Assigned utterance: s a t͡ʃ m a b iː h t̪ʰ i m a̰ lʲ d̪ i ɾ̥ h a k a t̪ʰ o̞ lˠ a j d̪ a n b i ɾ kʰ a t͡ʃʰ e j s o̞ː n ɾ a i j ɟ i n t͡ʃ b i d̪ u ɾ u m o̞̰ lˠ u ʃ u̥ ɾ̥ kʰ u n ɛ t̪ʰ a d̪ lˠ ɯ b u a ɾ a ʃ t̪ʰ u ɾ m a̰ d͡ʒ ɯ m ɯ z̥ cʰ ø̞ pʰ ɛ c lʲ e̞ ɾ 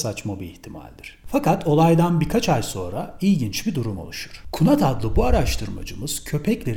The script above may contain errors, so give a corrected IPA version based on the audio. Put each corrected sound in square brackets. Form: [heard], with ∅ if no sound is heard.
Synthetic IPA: s a t͡ʃ m a b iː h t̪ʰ i m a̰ lʲ d̪ i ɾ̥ [f] a k a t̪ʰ o̞ lˠ a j d̪ a n b i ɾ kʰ a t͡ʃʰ [a] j s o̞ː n ɾ a i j ɟ i n t͡ʃ b i d̪ u ɾ u m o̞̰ lˠ u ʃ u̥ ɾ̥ kʰ u n [a] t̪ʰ a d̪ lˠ ɯ b u a ɾ a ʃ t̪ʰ [ɯ] ɾ m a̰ d͡ʒ ɯ m ɯ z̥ cʰ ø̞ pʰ ɛ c lʲ e̞ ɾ